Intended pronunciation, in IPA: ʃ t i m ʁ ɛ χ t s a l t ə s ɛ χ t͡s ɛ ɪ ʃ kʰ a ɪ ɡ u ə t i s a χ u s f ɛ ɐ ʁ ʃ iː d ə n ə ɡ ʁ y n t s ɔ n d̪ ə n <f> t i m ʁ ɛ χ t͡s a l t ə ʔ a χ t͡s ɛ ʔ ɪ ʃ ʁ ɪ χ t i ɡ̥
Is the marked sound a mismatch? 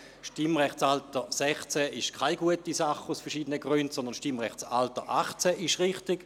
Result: yes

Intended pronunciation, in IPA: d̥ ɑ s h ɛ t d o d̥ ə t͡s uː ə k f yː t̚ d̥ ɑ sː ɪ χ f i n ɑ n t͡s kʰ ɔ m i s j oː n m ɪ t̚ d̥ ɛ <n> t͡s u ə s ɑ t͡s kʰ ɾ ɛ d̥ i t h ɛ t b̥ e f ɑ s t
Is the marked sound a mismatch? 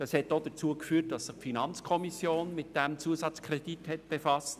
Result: yes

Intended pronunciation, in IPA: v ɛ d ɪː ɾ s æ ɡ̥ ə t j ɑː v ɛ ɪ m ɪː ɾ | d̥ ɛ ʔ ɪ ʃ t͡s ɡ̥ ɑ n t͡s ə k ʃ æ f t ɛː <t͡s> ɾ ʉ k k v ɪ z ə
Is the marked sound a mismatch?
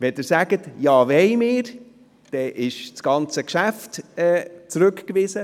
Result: no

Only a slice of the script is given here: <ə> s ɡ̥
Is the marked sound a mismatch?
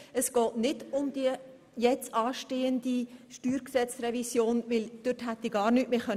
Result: no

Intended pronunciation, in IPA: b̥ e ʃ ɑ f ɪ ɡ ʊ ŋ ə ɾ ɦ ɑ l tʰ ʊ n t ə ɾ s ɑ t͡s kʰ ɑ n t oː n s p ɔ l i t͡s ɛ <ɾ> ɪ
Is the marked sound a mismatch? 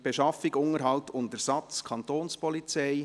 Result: yes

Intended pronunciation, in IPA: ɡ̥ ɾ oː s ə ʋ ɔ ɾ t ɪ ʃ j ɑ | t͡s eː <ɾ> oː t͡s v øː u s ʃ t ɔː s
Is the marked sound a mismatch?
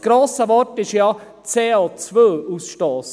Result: yes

